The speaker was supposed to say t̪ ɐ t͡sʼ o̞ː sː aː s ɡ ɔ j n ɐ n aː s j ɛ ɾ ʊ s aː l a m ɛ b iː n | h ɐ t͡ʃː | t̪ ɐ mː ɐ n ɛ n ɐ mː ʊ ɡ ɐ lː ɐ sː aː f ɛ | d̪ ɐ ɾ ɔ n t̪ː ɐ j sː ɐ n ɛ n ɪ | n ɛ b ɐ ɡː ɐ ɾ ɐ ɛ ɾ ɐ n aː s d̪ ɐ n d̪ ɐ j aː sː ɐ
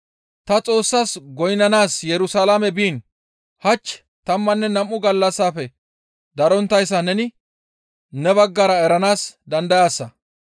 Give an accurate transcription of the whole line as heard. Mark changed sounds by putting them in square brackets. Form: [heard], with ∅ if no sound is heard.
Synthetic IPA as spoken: t̪ ɐ t͡sʼ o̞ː sː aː s ɡ ɔ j n ɐ n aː s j ɛ ɾ ʊ s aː l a m ɛ b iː n | h ɐ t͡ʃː | t̪ ɐ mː ɐ [nː] ɛ n ɐ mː ʊ ɡ ɐ lː ɐ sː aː f ɛ | d̪ ɐ ɾ ɔ n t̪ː ɐ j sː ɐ n ɛ n ɪ | n ɛ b ɐ ɡː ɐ ɾ ɐ ɛ ɾ ɐ n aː s d̪ ɐ n d̪ ɐ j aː sː ɐ

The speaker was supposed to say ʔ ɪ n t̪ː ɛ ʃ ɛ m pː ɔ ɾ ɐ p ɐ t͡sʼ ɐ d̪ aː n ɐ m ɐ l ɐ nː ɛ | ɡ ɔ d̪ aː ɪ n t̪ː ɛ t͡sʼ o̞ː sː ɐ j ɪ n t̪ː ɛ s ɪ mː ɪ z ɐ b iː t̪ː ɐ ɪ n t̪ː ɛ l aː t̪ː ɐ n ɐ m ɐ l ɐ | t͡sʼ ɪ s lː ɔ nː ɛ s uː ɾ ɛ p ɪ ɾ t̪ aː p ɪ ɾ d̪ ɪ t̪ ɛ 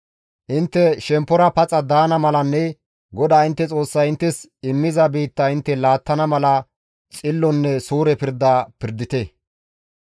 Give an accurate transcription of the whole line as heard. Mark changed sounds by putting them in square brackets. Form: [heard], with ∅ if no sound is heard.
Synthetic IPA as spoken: ʔ ɪ n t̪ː ɛ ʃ ɛ m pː ɔ ɾ ɐ p ɐ t͡sʼ ɐ d̪ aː n ɐ m ɐ l ɐ nː ɛ | ɡ ɔ d̪ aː ɪ n t̪ː ɛ t͡sʼ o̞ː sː ɐ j ɪ n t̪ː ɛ s ɪ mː ɪ z ɐ b iː t̪ː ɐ ɪ n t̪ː ɛ l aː t̪ː ɐ n ɐ m ɐ l ɐ | t͡sʼ ɪ [∅] lː ɔ nː ɛ s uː ɾ ɛ p ɪ ɾ [d̪] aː p ɪ ɾ d̪ ɪ t̪ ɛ

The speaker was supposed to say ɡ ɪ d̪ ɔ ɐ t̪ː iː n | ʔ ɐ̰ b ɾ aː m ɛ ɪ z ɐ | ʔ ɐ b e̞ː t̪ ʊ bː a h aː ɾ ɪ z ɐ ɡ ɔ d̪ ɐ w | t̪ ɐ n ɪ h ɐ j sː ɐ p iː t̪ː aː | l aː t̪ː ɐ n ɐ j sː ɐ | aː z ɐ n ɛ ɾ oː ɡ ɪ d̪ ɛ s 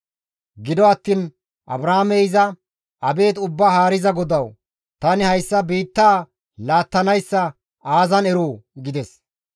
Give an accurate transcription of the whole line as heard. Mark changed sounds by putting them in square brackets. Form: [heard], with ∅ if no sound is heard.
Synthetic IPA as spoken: ɡ ɪ d̪ ɔ ɐ t̪ː iː n | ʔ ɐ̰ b ɾ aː m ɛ ɪ z ɐ | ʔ ɐ b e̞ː t̪ ʊ bː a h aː ɾ ɪ z ɐ ɡ ɔ d̪ ɐ w | t̪ ɐ n ɪ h ɐ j sː ɐ [b] iː t̪ː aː | l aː t̪ː ɐ n ɐ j sː ɐ | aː z ɐ n ɛ ɾ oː ɡ ɪ d̪ ɛ s

